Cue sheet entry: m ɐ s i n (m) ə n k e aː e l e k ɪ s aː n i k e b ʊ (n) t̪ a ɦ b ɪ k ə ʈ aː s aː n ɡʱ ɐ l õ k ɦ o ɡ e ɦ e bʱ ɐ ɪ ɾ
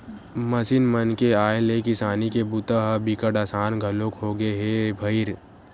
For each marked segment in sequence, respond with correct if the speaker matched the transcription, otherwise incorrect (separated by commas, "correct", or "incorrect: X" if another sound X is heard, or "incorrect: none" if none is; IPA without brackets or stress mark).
correct, incorrect: none